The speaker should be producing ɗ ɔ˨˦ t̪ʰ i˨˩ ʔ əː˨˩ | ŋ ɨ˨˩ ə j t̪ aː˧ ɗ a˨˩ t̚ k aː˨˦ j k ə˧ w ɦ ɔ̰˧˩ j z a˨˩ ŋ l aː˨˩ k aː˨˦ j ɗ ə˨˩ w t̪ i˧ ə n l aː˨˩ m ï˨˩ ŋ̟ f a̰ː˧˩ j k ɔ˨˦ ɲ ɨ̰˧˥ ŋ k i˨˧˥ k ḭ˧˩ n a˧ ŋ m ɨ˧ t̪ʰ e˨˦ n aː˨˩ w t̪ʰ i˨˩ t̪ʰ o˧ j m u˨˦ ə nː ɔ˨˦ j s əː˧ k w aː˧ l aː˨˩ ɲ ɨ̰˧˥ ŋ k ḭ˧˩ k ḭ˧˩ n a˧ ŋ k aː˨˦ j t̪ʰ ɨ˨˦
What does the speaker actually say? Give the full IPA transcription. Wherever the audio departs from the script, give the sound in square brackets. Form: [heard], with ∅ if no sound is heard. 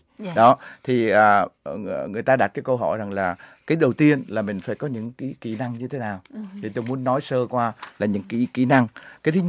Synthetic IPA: ɗ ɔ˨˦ t̪ʰ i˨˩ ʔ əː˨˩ | ŋ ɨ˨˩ ə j t̪ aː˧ ɗ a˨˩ t̚ k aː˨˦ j k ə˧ w ɦ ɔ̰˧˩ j z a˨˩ ŋ l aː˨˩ k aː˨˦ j ɗ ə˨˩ w t̪ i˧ ə n l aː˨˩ m ï˨˩ ŋ̟ f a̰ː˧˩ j k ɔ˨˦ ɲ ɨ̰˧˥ ŋ k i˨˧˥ k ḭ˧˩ n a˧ ŋ [ɲ] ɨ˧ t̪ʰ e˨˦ n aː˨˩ w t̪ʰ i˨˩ [t̪] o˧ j m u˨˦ ə nː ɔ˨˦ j s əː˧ k w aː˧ l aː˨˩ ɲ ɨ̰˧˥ ŋ k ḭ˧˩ k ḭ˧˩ n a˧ ŋ k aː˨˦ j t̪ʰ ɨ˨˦